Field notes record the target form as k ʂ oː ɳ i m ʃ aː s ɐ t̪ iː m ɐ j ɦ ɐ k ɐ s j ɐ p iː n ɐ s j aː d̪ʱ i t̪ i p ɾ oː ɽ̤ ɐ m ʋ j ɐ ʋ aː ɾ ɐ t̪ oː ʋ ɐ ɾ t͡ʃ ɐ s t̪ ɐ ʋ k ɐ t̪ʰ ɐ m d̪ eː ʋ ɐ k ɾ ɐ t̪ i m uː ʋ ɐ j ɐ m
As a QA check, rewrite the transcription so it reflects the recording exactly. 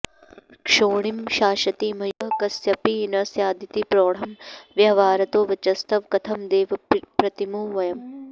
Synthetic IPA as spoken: k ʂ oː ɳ i m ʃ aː ʃ ɐ t̪ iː m ɐ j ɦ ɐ k ɐ s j ɐ p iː n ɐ s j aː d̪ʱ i t̪ i p ɾ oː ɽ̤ ɐ m ʋ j ɐ ʋ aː ɾ ɐ t̪ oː ʋ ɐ t͡ʃ ɐ s t̪ ɐ ʋ k ɐ t̪ʰ ɐ m d̪ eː ʋ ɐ p ɾ ɐ t̪ i m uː ʋ ɐ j ɐ m